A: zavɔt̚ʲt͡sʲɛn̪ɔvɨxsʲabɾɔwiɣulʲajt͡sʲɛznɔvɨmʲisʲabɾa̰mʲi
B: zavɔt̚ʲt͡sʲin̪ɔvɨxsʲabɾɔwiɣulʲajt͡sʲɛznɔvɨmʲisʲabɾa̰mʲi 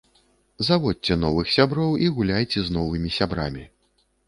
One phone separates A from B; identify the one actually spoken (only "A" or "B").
A